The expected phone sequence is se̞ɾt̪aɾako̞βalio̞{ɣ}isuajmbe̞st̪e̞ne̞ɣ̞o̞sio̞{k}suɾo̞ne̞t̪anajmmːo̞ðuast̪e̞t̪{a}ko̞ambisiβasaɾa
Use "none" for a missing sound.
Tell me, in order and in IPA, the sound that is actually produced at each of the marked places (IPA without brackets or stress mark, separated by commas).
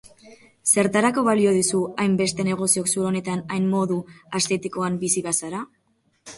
ð, k, i